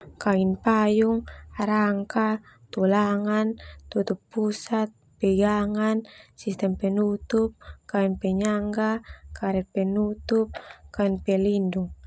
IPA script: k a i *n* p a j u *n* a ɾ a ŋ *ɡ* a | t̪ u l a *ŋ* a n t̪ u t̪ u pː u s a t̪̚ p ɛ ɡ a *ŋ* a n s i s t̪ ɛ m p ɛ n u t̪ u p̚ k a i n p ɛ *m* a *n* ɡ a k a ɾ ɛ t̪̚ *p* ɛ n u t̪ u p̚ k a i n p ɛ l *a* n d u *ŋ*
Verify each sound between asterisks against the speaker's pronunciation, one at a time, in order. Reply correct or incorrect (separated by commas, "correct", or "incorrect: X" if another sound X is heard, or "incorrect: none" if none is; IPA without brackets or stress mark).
correct, incorrect: ŋ, incorrect: k, correct, correct, incorrect: ɲ, incorrect: ŋ, correct, incorrect: i, correct